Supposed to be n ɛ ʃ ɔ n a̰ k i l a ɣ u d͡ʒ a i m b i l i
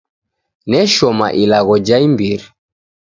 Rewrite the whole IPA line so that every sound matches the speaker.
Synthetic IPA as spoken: n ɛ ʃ ɔ m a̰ ʔ i l a ɣ ɔ d͡ʒ a i m b i ɾ i